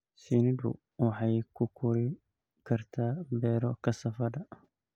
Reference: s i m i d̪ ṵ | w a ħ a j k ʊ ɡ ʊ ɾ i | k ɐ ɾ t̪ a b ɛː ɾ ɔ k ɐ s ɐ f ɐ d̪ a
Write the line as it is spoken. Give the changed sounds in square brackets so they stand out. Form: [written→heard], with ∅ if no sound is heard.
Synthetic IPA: s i [m→n] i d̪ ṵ | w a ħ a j k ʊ [ɡ→k] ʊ ɾ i | k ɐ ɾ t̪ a b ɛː ɾ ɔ k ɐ s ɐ f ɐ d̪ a